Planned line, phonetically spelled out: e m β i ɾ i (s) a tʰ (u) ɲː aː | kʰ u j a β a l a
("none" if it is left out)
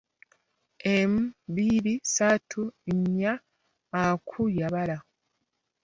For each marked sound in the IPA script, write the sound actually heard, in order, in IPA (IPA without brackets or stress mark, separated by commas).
s, u